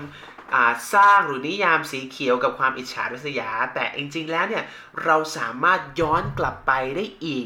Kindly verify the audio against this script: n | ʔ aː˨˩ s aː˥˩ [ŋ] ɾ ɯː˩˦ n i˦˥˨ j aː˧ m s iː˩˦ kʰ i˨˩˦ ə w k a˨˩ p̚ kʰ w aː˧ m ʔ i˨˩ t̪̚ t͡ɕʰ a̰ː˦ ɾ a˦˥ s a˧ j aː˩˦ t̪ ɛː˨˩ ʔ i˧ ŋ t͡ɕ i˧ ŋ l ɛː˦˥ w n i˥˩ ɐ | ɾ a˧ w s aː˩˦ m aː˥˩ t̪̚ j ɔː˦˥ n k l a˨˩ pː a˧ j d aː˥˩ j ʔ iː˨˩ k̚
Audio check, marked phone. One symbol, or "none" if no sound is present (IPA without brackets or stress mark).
ŋ